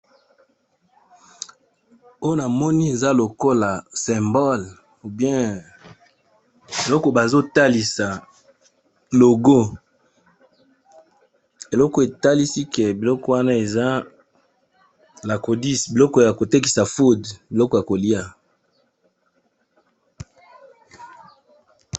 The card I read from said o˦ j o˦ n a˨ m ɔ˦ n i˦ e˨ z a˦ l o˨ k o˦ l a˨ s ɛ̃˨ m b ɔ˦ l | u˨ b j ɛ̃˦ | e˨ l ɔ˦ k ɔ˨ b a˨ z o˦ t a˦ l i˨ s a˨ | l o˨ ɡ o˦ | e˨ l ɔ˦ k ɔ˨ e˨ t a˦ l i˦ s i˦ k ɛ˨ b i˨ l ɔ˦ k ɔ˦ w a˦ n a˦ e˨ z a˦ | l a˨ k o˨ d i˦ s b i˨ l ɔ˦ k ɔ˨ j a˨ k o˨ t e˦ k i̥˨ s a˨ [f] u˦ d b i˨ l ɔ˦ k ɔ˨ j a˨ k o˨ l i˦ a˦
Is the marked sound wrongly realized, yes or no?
no